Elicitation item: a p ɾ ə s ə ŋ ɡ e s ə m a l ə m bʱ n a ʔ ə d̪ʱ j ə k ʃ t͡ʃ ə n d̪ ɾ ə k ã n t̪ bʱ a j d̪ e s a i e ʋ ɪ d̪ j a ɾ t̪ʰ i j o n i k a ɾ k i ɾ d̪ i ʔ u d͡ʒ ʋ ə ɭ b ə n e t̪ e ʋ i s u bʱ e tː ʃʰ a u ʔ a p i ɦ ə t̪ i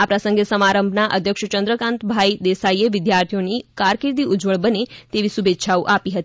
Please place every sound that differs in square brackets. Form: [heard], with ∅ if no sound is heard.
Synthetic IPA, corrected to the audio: a p ɾ ə s ə ŋ ɡ e s ə m a [ɾ] ə m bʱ n a ʔ ə d̪ʱ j ə k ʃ t͡ʃ ə n d̪ ɾ ə k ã n t̪ bʱ a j d̪ e s a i e ʋ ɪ d̪ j a ɾ t̪ʰ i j o n i k a ɾ k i ɾ d̪ i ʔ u d͡ʒ ʋ ə ɭ b ə n e t̪ e ʋ i s u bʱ e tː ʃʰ a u ʔ a p i ɦ ə t̪ i